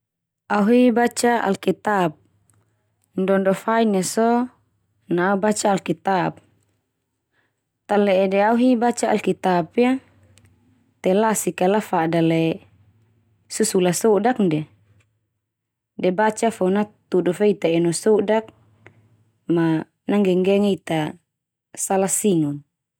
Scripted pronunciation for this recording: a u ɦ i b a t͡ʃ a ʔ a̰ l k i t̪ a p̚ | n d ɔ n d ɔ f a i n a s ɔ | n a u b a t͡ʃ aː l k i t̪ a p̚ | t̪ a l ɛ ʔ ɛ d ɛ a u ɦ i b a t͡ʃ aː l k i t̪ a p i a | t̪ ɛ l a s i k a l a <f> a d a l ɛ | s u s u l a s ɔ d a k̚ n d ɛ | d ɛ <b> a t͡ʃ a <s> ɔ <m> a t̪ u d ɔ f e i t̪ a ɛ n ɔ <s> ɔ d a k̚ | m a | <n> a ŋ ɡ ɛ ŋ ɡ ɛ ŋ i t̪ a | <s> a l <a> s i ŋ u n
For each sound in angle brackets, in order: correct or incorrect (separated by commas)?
correct, correct, incorrect, incorrect, correct, correct, correct, correct